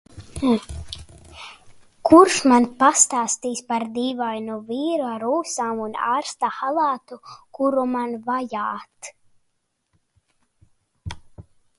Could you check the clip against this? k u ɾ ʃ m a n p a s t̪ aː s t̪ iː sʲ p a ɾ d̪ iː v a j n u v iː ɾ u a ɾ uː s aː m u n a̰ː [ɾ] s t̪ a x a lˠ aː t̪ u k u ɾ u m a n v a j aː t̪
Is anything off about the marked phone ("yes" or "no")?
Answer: no